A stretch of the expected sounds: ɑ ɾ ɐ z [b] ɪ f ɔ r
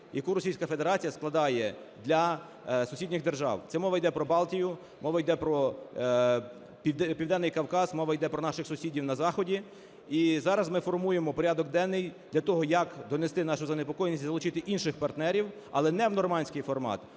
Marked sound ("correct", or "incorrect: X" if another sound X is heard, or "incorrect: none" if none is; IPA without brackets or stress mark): incorrect: m